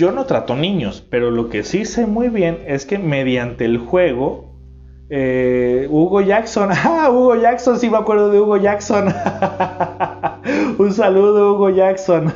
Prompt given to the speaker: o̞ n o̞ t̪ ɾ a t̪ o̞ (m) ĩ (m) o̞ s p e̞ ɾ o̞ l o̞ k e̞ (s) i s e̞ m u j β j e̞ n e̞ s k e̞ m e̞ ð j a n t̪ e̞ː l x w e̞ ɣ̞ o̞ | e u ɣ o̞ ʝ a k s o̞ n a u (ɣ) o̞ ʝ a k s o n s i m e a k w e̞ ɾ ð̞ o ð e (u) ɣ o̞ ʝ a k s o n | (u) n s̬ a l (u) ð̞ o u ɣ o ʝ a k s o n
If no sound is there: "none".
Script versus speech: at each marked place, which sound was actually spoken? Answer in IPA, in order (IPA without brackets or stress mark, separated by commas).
n, ɲ, s, ɣ, u, u, u